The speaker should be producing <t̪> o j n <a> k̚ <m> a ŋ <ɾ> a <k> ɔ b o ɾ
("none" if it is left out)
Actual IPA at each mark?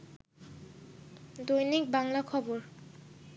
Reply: d̪, i, b, l, kʰ

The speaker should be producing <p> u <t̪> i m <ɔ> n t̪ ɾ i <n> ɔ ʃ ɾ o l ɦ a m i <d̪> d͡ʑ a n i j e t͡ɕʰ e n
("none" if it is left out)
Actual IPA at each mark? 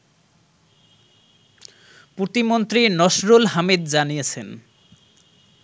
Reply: p, t̪, o, n, d̪

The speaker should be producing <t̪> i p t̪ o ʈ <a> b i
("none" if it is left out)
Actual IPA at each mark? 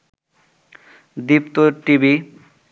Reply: d̪, i

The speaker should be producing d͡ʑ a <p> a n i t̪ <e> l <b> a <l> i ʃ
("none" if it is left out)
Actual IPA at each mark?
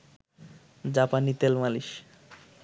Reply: p, e, m, l

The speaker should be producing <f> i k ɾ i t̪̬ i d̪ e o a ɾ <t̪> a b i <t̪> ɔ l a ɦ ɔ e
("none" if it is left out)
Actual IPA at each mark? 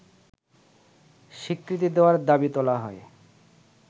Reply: ʃ, d̪, t̪

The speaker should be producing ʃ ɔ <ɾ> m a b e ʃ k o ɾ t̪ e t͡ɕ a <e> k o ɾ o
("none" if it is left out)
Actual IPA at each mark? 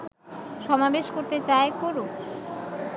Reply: none, e

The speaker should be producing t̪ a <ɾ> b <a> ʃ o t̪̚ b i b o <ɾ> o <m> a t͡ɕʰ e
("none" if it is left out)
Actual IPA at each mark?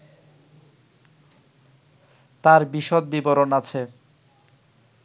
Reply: ɾ, i, ɾ, n

